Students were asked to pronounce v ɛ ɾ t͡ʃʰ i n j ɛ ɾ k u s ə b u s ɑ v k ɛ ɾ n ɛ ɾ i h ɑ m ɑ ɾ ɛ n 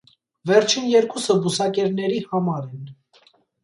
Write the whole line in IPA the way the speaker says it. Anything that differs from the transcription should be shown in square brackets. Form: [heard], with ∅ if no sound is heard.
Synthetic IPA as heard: v ɛ ɾ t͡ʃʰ i n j ɛ ɾ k u s ə b u s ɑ [∅] k ɛ ɾ n ɛ ɾ i h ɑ m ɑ ɾ ɛ n